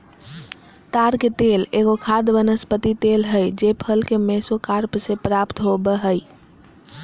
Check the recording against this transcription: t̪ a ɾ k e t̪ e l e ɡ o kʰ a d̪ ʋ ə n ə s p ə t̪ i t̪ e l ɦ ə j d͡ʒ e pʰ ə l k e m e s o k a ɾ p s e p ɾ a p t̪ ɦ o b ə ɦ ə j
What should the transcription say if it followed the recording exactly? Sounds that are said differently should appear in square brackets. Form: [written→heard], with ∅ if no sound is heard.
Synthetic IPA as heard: t̪ a ɾ k e t̪ e l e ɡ o kʰ a d̪ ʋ ə n ə s p ə t̪ i t̪ e l ɦ ə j d͡ʒ e pʰ ə l k e m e s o k a ɾ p s e p ɾ a p t̪ ɦ o b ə ɦ ə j